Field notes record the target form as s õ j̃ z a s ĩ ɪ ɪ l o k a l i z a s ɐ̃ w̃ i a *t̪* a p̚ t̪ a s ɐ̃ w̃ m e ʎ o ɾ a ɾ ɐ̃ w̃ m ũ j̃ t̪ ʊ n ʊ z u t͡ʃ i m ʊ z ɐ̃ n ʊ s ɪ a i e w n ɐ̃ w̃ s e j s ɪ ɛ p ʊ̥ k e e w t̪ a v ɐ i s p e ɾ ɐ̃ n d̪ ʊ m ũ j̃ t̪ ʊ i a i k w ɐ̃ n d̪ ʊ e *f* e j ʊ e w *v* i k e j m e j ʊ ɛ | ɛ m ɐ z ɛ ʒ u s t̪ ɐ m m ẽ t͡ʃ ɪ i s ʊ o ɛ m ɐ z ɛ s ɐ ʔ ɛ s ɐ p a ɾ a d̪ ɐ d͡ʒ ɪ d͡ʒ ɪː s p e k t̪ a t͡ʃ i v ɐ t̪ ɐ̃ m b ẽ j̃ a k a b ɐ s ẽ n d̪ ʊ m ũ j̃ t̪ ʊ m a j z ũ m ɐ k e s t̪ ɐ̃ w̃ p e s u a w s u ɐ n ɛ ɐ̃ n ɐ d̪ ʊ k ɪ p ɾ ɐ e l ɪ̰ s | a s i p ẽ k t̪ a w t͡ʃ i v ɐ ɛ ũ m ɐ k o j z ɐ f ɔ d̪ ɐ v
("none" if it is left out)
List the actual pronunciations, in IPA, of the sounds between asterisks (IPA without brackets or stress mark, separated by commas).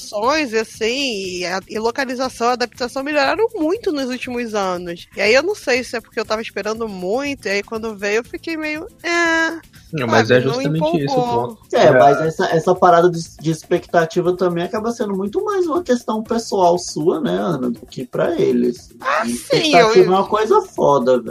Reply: d̪, v, f